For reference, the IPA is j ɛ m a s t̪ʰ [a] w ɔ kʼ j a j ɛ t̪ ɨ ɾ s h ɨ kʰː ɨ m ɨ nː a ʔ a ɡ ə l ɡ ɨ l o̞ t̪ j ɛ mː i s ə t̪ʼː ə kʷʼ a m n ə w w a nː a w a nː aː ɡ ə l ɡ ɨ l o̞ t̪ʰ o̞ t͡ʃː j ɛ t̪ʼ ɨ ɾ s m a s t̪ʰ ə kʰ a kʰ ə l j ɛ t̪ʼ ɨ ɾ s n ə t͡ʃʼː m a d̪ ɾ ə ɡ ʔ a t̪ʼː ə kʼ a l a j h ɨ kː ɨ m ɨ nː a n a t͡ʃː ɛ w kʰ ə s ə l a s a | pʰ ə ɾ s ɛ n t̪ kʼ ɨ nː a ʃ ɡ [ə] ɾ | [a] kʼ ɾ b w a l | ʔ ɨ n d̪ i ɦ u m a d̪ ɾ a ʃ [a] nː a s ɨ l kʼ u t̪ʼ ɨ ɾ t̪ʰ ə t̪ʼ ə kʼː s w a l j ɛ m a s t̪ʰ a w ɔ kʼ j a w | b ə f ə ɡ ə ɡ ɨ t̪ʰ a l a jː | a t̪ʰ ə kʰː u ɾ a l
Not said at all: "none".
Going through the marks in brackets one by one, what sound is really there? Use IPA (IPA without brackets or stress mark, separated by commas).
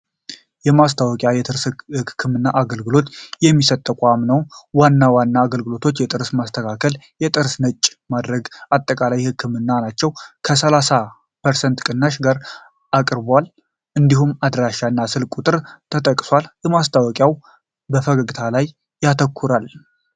a, a, a, a